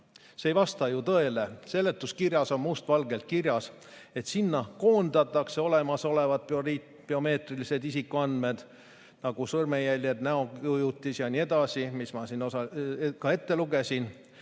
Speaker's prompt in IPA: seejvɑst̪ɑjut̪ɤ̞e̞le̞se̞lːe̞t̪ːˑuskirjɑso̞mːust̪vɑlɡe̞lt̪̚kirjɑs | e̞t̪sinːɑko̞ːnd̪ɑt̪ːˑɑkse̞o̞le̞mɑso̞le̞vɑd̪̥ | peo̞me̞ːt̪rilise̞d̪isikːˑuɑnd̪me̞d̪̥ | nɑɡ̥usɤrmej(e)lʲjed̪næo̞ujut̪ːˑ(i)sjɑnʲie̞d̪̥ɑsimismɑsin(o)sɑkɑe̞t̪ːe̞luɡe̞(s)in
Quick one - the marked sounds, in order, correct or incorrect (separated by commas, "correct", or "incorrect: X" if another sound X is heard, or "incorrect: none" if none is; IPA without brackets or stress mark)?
incorrect: æ, correct, correct, correct